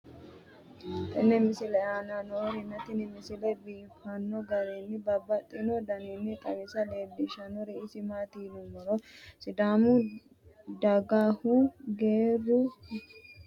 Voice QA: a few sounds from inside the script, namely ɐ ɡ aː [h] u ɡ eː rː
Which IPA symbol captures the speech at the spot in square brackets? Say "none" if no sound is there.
h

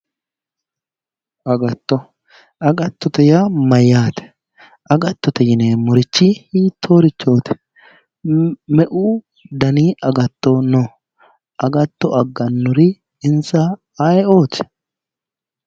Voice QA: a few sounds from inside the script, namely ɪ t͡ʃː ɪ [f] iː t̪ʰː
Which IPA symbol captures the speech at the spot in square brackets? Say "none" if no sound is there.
h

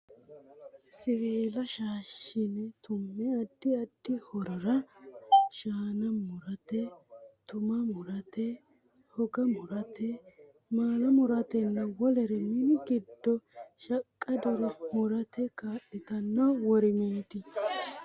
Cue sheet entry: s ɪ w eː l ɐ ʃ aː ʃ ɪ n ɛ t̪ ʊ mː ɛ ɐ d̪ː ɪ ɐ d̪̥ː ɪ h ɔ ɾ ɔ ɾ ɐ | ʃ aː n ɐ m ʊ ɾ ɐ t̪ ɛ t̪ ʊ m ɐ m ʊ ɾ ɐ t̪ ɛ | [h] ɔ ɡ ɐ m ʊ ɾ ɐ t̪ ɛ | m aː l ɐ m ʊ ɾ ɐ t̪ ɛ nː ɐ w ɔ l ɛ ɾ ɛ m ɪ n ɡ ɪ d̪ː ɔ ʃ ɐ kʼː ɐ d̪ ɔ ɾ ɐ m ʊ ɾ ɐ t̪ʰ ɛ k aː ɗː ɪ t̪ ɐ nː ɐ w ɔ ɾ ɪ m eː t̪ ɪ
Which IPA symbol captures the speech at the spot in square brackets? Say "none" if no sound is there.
h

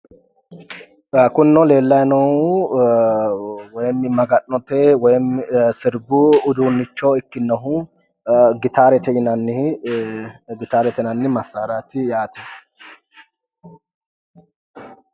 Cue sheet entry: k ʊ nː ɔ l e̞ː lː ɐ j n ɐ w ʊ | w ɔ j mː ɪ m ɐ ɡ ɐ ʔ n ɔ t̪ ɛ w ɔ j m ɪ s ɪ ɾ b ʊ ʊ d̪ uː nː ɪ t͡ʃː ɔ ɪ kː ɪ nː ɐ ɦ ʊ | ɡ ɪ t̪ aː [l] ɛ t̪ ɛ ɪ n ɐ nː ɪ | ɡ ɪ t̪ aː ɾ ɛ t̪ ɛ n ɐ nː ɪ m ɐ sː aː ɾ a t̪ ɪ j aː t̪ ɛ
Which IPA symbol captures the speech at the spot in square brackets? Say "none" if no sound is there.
ɾ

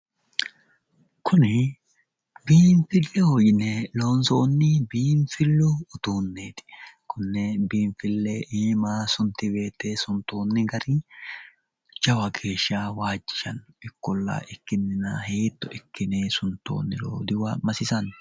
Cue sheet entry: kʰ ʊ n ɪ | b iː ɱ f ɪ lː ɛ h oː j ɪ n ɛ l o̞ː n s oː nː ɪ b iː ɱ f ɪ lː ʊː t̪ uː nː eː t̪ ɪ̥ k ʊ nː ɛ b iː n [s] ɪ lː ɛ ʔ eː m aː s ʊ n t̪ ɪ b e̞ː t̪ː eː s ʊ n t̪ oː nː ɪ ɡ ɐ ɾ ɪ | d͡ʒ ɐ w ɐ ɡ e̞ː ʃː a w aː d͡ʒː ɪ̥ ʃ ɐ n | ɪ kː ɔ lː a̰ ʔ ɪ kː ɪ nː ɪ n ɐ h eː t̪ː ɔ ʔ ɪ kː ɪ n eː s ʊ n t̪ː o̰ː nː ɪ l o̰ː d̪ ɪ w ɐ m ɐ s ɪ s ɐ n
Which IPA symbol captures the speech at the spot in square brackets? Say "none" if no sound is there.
f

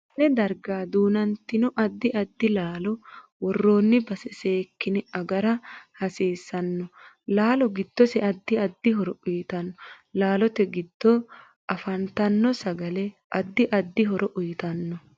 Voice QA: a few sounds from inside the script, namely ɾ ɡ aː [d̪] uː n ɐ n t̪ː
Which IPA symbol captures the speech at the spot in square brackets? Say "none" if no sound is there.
d̪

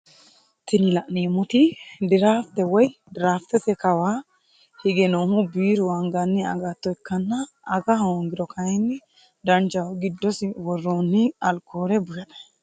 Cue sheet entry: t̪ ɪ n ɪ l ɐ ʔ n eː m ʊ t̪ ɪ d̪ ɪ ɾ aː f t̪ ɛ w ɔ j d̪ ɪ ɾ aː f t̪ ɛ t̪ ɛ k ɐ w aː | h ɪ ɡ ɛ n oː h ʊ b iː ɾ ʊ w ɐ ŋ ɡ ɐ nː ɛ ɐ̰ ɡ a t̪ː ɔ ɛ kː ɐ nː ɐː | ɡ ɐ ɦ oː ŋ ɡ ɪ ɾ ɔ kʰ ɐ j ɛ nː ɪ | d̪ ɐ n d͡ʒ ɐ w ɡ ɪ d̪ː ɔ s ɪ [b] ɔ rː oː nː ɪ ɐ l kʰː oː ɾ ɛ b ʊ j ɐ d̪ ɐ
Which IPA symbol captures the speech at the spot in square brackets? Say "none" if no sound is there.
w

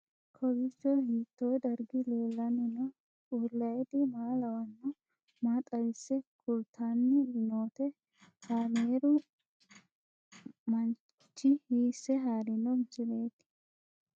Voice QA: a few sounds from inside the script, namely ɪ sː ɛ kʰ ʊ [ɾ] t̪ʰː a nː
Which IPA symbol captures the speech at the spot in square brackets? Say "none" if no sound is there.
l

